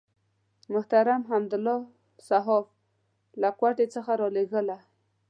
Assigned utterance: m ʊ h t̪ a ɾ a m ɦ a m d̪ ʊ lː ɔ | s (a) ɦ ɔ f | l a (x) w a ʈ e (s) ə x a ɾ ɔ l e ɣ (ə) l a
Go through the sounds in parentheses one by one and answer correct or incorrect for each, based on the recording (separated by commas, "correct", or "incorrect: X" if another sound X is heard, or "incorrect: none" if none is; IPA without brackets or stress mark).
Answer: correct, incorrect: k, incorrect: t͡s, correct